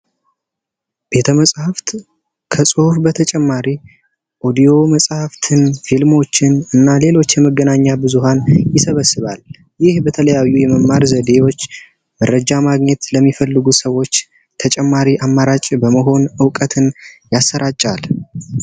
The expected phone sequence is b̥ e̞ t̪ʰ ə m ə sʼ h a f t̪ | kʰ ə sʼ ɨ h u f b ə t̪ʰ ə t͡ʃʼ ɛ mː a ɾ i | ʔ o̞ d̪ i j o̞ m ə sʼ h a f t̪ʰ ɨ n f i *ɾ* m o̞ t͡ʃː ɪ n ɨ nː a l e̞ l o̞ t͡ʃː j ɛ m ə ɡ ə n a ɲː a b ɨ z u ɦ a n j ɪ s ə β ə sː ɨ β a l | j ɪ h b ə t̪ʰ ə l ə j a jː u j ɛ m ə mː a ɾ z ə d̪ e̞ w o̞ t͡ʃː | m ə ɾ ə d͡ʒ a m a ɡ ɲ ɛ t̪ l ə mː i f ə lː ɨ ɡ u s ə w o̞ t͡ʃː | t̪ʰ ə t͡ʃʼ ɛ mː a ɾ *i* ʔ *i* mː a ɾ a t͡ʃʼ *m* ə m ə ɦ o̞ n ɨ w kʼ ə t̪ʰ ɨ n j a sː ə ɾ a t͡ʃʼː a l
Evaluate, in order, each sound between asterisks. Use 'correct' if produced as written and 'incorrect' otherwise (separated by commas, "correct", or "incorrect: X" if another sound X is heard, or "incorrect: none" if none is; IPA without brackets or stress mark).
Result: incorrect: l, correct, incorrect: a, incorrect: b